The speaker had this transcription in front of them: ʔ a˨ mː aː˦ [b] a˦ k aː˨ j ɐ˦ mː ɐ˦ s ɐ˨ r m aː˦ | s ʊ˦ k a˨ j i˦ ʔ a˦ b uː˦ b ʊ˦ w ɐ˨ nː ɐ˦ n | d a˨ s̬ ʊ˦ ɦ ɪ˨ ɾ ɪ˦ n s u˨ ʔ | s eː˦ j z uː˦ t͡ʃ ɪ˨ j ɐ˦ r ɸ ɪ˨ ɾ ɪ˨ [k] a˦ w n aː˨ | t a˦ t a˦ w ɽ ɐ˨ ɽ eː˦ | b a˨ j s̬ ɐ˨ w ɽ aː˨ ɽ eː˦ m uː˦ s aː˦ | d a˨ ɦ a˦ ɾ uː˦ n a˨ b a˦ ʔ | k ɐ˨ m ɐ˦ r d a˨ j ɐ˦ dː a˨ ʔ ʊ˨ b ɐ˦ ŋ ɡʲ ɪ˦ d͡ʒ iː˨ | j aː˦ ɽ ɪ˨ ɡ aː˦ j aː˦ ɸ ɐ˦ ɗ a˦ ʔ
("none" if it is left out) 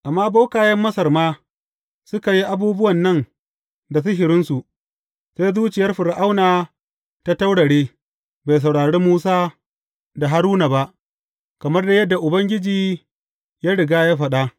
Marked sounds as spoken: b, ʔ

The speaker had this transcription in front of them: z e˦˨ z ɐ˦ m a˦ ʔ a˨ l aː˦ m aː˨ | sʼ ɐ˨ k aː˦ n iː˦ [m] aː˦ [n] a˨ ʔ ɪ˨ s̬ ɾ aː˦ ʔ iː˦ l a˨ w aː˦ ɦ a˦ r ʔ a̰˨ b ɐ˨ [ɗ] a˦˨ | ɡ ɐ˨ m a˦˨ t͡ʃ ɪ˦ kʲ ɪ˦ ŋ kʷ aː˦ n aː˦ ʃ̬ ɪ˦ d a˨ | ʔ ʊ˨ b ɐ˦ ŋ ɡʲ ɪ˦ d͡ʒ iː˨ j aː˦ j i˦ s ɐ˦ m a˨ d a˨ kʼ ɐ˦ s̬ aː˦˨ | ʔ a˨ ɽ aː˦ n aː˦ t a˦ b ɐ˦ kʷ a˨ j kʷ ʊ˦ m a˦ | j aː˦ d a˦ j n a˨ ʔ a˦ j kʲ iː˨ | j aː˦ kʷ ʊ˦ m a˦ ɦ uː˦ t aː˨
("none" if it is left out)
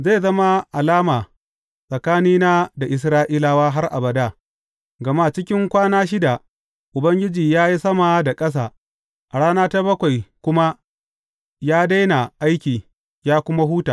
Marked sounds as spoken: n, d, d

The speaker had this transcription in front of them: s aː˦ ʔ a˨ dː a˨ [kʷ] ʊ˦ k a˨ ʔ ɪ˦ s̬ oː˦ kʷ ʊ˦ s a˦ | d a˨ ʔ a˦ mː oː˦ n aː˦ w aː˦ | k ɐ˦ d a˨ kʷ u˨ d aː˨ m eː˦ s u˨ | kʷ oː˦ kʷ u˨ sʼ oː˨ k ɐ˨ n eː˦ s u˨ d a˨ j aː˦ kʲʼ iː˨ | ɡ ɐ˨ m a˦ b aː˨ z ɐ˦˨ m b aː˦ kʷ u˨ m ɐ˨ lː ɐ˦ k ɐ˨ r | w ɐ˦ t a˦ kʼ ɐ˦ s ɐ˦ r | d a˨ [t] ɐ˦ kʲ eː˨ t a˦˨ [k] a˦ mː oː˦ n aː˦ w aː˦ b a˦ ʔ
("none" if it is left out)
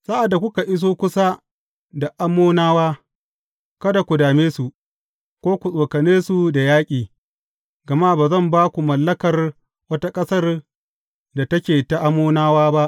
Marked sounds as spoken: kʷ, t, ʔ

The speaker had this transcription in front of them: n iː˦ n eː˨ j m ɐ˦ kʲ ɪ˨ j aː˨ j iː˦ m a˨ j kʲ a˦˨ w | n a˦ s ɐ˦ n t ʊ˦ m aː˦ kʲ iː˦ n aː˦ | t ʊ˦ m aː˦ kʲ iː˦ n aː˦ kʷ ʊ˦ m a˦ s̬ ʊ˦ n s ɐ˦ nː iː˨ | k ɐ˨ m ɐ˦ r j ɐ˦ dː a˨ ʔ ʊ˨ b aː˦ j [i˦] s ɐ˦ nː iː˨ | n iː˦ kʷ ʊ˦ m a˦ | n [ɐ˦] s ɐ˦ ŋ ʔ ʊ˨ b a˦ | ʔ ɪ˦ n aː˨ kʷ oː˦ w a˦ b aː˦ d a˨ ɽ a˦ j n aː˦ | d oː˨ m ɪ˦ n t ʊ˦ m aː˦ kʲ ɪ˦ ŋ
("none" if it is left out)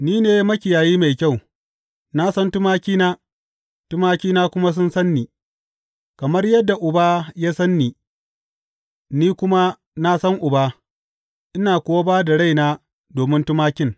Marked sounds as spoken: a˦, a˦

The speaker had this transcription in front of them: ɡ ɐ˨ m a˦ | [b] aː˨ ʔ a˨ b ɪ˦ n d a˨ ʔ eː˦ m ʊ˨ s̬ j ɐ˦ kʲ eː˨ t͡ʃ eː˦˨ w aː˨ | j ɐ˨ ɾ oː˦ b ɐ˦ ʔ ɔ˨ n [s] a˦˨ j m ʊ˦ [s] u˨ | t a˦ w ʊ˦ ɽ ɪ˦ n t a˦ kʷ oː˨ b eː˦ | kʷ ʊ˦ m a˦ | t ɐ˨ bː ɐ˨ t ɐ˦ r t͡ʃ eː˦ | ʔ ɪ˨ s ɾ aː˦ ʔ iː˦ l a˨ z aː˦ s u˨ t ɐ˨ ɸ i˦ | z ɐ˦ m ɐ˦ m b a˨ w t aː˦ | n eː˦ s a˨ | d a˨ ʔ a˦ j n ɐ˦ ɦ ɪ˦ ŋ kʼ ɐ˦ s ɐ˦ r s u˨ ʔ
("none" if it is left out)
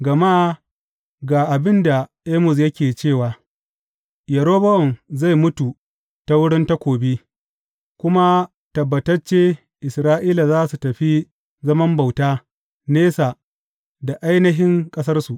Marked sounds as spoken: ɡ, z, t

